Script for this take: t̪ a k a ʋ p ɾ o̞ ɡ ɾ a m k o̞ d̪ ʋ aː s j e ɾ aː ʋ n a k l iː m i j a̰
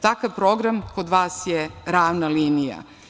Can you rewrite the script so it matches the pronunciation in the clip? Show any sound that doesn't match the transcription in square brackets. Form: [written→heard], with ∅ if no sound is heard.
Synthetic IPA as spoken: t̪ a k a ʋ p ɾ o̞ ɡ ɾ a m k o̞ d̪ ʋ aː s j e ɾ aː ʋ n a [k→∅] l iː [m→n] i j a̰